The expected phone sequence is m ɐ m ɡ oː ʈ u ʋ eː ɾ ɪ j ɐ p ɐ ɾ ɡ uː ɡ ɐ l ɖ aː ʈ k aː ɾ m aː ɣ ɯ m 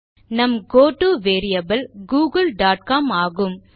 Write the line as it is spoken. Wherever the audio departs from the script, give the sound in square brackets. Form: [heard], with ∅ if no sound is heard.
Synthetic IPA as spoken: [n] ɐ m ɡ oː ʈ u ʋ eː ɾ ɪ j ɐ [b] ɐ [l] ɡ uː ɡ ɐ l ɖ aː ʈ k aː [∅] m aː ɣ ɯ m

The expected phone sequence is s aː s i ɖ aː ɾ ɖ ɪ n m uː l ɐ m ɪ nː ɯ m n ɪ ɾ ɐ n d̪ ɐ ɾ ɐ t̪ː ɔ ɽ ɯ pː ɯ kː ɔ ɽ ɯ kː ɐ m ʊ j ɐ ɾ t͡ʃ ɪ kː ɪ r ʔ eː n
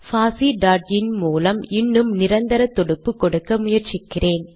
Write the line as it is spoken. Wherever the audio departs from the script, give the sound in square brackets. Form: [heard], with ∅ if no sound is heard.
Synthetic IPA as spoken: [f] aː s i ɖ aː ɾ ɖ ɪ n m uː l ɐ m ɪ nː ɯ m n ɪ ɾ ɐ n d̪ ɐ ɾ ɐ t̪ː ɔ ɽ ɯ pː ɯ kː ɔ ɽ ɯ kː ɐ m ʊ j ɐ ɾ t͡ʃ ɪ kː ɪ r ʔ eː n

